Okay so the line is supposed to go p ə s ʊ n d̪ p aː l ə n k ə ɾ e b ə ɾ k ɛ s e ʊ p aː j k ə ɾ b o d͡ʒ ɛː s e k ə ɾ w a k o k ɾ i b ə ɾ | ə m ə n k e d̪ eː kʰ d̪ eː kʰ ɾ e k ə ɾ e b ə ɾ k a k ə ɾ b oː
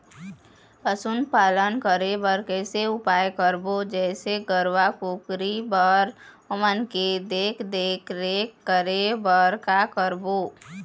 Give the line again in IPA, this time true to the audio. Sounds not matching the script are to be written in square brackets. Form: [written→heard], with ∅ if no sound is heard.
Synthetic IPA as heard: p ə s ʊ n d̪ p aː l ə n k ə ɾ e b ə ɾ k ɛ s e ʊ p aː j k ə ɾ b o d͡ʒ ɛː s e [k→ɡ] ə ɾ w a k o k ɾ i b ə ɾ | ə m ə n k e d̪ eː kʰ d̪ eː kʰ ɾ e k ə ɾ e b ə ɾ k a k ə ɾ b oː